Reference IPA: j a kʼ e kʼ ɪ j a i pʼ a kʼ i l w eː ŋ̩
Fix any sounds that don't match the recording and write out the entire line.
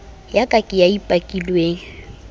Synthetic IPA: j a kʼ a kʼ ɪ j a i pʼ a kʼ i l w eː ŋ̩